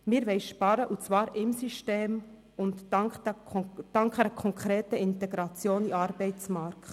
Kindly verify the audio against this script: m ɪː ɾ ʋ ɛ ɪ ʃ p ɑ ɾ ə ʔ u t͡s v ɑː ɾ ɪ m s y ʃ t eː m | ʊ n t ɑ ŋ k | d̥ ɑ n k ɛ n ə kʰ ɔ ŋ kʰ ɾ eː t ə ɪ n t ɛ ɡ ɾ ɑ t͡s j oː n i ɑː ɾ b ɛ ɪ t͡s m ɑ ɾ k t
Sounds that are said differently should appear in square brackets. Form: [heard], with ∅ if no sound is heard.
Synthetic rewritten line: m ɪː ɾ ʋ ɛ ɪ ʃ p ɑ ɾ ə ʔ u t͡s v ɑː ɾ ɪ m s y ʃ t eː m | ʊ n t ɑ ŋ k | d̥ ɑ [ŋ] k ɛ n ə kʰ ɔ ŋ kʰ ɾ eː t ə ɪ n t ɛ ɡ ɾ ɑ t͡s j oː n i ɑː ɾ b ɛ ɪ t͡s m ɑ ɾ k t